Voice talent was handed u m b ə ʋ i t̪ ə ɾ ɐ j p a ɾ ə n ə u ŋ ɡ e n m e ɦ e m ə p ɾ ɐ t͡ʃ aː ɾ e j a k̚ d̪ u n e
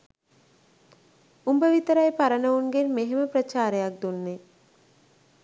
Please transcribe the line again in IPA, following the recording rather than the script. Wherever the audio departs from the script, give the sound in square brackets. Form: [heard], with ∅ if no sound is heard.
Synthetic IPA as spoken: u m b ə ʋ i t̪ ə ɾ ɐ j p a ɾ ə n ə u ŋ ɡ e n m e ɦ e m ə p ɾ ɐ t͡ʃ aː ɾ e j a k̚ d̪ u [nː] e